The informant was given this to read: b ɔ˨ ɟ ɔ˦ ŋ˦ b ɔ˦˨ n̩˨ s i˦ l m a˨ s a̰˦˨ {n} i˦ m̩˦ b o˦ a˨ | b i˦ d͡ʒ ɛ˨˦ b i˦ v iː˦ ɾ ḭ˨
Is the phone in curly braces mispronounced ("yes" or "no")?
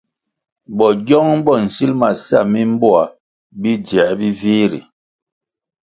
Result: yes